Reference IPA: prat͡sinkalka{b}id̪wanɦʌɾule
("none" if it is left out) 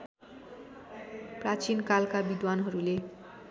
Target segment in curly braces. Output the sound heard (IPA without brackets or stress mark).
b